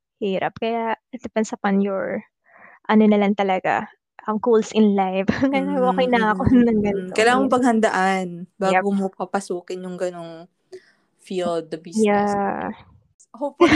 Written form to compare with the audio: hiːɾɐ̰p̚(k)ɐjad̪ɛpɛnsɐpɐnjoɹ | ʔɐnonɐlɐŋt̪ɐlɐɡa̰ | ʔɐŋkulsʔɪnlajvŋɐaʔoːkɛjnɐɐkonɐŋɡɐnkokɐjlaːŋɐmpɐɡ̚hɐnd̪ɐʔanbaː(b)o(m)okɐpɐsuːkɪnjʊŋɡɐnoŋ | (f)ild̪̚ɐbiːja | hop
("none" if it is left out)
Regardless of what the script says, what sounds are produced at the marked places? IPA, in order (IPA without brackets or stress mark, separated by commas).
k, ɡ, m, f